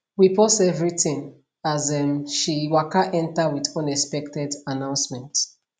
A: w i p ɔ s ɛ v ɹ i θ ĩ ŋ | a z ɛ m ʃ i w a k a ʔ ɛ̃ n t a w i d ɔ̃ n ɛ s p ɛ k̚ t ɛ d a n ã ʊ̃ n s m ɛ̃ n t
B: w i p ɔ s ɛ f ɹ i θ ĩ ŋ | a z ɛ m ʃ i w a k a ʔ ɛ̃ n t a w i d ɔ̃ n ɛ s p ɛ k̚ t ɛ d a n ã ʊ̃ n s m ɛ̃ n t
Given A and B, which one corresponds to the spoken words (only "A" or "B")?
A